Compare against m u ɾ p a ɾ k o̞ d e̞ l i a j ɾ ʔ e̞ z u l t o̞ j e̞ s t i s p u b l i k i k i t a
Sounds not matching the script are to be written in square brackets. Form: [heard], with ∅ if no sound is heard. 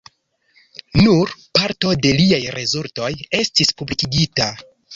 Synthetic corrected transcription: [n] u ɾ p a ɾ [t] o̞ d e̞ l i a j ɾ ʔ e̞ z u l t o̞ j e̞ s t i s p u b l i k i [ɡ] i t a